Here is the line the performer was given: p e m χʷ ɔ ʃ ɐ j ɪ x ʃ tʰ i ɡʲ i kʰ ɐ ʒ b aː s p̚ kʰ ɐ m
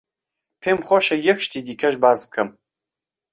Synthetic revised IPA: pʰ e m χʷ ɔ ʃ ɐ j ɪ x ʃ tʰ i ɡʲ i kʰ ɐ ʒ b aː z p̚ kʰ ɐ m